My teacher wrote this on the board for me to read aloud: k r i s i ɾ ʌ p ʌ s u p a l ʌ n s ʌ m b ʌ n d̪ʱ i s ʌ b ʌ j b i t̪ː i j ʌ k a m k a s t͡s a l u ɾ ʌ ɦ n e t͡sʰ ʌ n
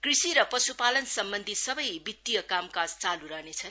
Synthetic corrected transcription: k r i s i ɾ ʌ p ʌ s u p a l ʌ n s ʌ m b ʌ n d̪ʱ i s ʌ b ʌ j b i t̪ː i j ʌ k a m k a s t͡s a l u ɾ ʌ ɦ n e t͡sʰ ʌ n